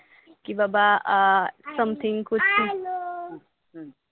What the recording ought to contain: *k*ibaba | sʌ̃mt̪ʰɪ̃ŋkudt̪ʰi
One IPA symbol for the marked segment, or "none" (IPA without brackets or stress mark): k